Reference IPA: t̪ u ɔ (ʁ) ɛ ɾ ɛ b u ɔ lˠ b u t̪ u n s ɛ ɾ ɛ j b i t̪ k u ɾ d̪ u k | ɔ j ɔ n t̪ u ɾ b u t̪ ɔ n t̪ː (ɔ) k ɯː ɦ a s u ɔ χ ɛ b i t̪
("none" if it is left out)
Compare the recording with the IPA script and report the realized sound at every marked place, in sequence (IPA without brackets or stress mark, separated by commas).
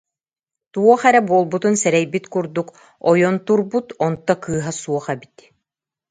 χ, ɔ